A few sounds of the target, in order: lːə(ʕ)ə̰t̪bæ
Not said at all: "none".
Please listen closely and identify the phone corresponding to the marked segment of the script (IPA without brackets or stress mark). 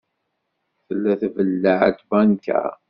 ʕ